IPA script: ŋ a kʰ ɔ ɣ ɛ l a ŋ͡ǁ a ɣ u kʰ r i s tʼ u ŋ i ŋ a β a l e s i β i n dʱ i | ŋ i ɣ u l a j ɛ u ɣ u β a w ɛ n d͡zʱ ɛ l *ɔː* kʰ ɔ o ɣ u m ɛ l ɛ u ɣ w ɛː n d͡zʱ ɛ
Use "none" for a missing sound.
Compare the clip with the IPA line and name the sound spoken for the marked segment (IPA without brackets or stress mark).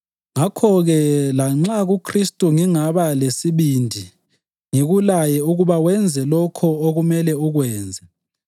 ɔ